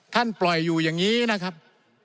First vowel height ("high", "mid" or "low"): low